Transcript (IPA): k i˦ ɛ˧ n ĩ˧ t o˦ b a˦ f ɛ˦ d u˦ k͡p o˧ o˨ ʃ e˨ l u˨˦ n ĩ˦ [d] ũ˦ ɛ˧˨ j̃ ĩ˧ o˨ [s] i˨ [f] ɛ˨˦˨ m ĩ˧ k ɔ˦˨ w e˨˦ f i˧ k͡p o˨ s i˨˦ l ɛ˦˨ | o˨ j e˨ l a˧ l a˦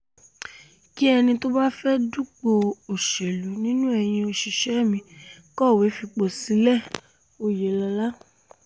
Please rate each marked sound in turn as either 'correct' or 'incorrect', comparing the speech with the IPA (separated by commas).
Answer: incorrect, incorrect, incorrect